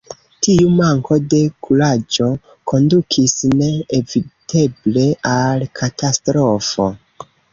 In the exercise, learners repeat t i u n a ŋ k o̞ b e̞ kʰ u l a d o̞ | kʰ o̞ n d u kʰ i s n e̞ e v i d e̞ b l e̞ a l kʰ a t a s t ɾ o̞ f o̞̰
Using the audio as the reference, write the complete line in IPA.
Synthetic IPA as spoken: t i u m a ŋ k o̞ d e̞ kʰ u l a d͡ʒ o̞ | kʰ o̞ n d u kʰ i s n e̞ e v i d e̞ b l e̞ a l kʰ a t a s t ɾ o̞ f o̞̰